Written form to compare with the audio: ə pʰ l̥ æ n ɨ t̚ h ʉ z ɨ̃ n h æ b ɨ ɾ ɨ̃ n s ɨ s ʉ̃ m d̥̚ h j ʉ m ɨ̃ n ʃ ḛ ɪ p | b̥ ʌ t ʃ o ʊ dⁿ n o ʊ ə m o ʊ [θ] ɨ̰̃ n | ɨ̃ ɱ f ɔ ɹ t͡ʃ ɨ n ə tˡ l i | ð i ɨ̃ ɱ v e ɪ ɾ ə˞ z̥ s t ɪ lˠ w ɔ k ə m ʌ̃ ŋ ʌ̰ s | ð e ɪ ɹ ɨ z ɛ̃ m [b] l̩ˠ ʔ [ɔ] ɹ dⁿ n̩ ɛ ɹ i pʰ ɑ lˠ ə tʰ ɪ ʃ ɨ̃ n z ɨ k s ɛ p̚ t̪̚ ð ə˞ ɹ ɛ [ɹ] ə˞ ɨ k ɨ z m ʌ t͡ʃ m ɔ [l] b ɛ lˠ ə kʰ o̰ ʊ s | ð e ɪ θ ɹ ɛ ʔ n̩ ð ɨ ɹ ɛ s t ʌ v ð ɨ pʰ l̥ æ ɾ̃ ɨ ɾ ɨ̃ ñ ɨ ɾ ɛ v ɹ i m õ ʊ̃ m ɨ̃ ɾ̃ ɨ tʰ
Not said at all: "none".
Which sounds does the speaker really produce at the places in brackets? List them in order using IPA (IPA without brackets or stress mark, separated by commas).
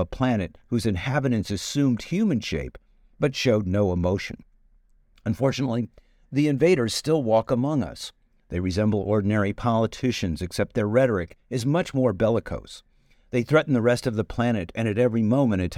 ʃ, b, ɔ, ɾ, ɹ